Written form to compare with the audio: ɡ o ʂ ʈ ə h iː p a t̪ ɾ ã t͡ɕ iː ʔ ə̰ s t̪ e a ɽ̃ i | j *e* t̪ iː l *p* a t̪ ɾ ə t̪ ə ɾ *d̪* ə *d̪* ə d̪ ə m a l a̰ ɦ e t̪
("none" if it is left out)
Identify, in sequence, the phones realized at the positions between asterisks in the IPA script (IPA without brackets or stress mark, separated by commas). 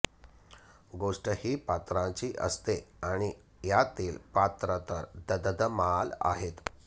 a, p, d̪, d̪